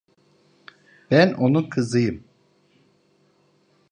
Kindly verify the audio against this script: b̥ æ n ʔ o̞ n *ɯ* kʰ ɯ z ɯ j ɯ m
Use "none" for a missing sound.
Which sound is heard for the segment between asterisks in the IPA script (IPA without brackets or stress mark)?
u